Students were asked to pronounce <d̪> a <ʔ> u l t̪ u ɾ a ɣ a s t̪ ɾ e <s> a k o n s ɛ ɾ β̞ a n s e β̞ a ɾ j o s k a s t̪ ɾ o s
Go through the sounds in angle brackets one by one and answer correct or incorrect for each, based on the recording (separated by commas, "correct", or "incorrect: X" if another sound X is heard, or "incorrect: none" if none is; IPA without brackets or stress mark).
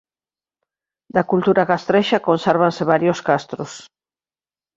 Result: correct, incorrect: k, incorrect: ʃ